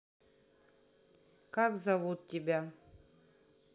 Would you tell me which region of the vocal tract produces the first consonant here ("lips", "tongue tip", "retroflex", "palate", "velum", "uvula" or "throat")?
velum